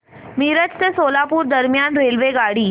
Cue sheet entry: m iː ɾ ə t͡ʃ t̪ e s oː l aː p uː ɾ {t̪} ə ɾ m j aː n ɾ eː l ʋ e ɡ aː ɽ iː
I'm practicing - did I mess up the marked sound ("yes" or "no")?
yes